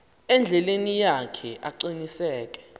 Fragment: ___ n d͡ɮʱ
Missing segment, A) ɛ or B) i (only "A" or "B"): A